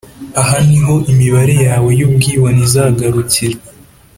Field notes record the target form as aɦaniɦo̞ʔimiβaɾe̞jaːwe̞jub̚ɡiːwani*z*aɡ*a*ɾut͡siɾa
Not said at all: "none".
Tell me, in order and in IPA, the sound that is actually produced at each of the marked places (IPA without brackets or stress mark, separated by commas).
z, a